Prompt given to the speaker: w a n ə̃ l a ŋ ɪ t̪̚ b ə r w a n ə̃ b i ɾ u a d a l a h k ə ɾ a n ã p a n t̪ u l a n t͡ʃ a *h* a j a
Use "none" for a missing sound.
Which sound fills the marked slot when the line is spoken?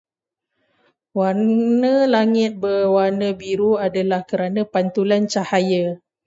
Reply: h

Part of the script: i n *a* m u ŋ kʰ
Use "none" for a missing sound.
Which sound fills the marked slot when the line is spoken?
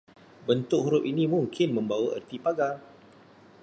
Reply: i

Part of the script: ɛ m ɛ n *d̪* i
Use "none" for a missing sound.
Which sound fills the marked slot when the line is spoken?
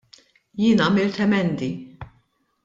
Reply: d̪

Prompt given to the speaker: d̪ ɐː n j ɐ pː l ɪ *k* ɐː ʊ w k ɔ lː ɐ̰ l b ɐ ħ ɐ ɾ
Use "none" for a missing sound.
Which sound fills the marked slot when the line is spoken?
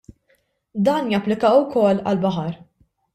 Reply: k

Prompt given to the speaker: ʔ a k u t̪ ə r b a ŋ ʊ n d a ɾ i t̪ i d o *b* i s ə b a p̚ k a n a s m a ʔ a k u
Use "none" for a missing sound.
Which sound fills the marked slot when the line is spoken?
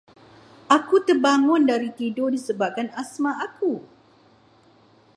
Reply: d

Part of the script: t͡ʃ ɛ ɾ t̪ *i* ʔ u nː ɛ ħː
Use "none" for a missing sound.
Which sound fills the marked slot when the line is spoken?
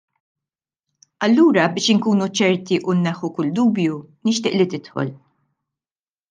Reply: i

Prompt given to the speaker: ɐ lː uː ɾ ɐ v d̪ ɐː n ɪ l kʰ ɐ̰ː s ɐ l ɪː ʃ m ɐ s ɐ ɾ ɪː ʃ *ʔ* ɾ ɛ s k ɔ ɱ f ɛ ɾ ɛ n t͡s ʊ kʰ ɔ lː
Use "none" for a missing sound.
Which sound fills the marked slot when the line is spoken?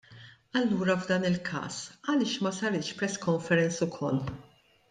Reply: p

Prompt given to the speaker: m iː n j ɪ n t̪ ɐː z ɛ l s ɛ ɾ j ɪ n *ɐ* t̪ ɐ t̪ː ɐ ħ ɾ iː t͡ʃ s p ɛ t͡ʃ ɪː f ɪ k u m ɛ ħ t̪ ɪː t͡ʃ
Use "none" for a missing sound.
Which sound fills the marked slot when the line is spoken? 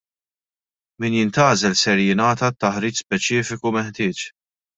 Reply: ɐː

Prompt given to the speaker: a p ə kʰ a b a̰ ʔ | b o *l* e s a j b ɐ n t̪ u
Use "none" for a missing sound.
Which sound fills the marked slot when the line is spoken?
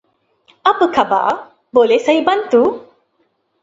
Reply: l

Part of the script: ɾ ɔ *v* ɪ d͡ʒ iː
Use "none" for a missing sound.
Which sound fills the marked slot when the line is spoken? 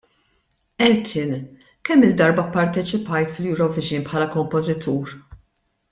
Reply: v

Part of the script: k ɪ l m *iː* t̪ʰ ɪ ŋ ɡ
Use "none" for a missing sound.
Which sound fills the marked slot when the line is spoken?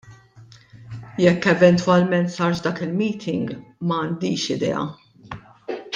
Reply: iː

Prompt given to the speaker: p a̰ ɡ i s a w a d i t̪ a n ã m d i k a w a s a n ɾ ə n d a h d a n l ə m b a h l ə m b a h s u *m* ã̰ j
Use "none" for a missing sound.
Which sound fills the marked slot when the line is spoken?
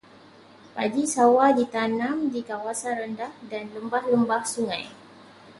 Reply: ŋ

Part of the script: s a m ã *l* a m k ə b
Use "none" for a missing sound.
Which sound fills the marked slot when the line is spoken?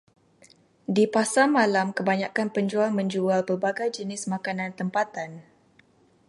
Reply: l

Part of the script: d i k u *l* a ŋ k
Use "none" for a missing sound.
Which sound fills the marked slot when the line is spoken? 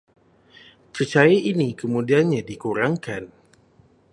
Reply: ɾ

